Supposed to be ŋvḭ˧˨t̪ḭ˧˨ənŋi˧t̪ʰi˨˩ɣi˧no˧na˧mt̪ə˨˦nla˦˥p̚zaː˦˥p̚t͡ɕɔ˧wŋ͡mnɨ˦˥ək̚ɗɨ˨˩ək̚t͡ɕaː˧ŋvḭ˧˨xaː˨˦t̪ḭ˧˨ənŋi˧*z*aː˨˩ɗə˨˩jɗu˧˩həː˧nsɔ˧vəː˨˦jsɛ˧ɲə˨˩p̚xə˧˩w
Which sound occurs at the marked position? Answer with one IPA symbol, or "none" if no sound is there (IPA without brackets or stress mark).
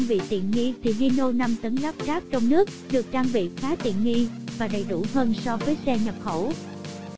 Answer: v